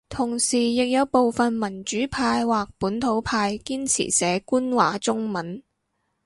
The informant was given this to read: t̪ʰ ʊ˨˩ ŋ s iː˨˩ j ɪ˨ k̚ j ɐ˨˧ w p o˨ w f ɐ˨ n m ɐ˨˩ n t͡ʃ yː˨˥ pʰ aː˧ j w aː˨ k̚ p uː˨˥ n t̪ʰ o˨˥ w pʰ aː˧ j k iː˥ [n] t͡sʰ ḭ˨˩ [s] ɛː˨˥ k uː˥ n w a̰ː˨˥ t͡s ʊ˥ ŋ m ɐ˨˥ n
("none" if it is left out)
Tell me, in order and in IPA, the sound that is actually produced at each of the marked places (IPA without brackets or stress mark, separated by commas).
n, s